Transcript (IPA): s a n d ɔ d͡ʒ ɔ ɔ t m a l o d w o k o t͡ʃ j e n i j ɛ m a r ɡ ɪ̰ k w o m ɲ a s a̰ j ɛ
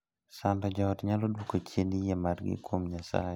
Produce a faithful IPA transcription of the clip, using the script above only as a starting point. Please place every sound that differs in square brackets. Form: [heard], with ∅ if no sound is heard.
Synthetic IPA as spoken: s a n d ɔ d͡ʒ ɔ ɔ t [ɲ] a l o d w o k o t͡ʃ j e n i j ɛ m a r ɡ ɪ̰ k w o m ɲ a s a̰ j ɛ